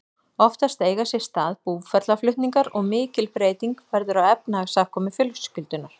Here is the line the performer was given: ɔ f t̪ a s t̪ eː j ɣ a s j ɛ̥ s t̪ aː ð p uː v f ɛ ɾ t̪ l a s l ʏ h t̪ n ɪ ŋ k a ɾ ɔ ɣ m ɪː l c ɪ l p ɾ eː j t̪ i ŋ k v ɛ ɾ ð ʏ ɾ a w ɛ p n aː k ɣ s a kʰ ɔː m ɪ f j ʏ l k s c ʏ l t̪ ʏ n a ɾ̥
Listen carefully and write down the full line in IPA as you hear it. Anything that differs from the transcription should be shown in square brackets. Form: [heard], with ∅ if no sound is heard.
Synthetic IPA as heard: ɔ f t̪ a s t̪ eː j ɣ a s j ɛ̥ s t̪ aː ð p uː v f ɛ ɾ t̪ l a [f] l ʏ h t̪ n [i] ŋ k a ɾ ɔ ɣ m ɪː [∅] c ɪ l p ɾ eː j t̪ i ŋ k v ɛ ɾ ð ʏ ɾ a w ɛ p n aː [∅] ɣ s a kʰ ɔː m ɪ f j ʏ l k s c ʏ l t̪ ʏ n a ɾ̥